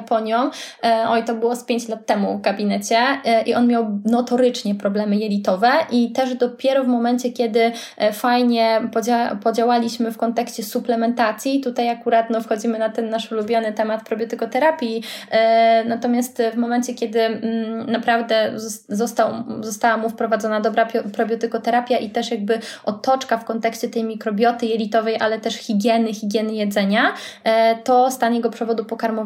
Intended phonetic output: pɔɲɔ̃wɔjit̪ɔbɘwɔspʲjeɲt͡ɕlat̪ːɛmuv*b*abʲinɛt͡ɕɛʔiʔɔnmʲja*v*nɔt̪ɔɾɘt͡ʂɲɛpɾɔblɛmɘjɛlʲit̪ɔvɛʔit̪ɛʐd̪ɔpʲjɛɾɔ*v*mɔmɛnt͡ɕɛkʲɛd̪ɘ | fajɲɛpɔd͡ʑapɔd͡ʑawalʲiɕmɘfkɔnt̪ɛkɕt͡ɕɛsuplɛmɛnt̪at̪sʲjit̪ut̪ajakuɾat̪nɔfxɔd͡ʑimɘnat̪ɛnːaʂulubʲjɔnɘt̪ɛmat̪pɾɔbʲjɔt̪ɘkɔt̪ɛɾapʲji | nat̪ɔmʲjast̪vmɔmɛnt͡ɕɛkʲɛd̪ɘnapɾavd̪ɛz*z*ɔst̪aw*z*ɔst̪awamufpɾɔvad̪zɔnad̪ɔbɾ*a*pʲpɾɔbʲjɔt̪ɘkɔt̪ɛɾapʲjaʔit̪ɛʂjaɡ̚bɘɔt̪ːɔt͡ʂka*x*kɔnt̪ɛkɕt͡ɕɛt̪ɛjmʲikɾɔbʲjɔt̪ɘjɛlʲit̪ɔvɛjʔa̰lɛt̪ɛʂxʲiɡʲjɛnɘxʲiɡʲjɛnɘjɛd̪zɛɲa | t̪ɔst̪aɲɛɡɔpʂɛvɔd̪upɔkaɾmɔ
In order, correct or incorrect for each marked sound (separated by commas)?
incorrect, incorrect, correct, correct, correct, correct, incorrect